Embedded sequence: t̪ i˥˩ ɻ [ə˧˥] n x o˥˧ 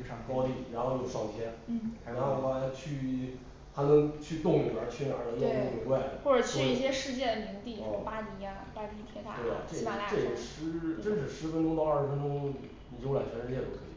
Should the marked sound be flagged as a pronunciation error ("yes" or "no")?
yes